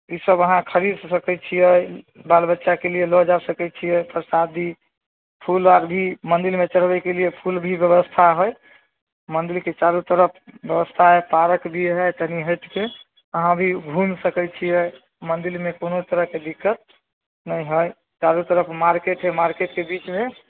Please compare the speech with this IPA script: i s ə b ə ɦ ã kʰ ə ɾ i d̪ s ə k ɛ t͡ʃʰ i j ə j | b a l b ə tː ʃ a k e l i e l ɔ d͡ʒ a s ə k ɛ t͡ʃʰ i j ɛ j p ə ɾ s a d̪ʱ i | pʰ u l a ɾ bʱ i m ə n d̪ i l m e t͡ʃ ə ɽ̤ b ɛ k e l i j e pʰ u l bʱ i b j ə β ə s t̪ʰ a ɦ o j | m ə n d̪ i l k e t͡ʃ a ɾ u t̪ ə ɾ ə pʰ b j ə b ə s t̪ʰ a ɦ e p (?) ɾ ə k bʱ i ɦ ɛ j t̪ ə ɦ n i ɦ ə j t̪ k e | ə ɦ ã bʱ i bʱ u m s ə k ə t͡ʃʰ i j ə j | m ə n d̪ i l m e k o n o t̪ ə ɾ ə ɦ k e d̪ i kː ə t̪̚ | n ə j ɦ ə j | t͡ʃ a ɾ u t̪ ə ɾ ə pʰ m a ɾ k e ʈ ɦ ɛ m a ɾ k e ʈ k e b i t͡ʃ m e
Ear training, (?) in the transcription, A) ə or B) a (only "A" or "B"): B